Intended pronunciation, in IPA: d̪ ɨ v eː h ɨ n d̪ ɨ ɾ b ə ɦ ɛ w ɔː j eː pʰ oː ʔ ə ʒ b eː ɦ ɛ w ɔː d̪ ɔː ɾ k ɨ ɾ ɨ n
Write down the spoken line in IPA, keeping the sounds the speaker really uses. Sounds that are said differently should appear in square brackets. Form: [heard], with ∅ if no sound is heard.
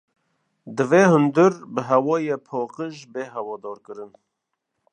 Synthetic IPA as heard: d̪ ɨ v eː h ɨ n d̪ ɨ ɾ b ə ɦ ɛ w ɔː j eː pʰ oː [q] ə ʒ b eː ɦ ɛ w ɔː d̪ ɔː ɾ k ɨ ɾ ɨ n